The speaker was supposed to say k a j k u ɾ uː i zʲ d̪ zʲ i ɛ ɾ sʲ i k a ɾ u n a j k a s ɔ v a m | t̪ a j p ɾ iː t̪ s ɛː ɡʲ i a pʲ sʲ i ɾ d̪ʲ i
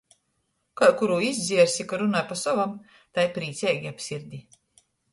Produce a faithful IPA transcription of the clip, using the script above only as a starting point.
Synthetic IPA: k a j k u ɾ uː i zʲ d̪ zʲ i ɛ ɾ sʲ i k a ɾ u n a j p a s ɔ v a m | t̪ a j p ɾ iː t̪ s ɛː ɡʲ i a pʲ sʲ i ɾ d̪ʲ i